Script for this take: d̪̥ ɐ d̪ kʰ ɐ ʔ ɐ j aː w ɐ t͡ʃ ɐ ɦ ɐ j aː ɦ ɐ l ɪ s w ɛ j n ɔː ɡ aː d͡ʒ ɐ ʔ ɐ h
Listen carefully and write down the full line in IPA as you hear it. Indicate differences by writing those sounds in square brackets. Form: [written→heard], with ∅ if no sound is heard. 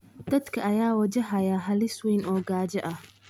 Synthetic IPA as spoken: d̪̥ ɐ d̪ kʰ ɐ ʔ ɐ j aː w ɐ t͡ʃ ɐ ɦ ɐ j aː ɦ ɐ l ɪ s w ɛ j n ɔː ɡ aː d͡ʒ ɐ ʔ ɐ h